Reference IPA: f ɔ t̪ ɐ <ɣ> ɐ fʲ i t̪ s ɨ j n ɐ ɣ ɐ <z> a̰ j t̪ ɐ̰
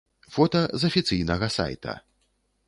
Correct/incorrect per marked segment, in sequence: incorrect: z, incorrect: s

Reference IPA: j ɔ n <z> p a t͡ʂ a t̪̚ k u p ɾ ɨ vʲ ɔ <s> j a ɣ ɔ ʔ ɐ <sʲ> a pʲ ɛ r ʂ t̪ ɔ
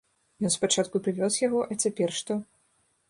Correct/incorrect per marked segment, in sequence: incorrect: s, correct, incorrect: t͡sʲ

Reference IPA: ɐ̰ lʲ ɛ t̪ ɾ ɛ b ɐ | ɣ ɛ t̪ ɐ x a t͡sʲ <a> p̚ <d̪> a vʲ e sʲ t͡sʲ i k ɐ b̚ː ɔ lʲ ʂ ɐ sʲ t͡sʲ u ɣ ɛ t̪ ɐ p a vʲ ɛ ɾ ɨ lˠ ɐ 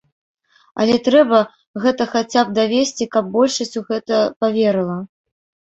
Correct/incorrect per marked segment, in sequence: correct, correct

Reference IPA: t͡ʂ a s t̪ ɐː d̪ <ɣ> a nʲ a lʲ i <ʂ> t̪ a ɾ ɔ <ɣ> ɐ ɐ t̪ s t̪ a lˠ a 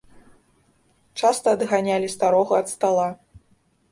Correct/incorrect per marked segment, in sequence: correct, incorrect: s, correct

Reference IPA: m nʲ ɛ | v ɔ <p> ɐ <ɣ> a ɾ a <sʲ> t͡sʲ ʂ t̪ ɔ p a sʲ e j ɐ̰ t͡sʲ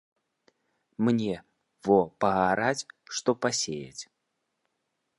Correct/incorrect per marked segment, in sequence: correct, correct, incorrect: none

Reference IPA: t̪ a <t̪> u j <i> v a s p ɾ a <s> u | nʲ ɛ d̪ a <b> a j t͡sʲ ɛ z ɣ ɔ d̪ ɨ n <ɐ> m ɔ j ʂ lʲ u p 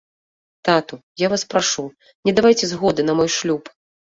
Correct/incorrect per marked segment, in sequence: correct, incorrect: a, incorrect: ʂ, incorrect: v, correct

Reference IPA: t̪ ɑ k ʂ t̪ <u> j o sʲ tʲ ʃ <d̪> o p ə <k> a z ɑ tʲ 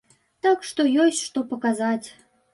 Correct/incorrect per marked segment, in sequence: incorrect: o, incorrect: t̪, correct

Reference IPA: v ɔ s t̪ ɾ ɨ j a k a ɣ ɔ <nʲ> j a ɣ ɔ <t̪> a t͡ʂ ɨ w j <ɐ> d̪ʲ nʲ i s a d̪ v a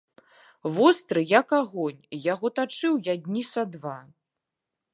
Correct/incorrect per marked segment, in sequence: correct, correct, incorrect: a

